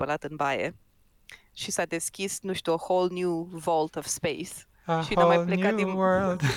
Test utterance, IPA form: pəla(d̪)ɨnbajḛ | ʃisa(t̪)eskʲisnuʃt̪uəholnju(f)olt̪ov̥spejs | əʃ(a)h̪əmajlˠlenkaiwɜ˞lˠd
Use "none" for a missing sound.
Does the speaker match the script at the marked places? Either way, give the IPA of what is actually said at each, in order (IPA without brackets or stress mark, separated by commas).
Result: t̪, d̪, v, i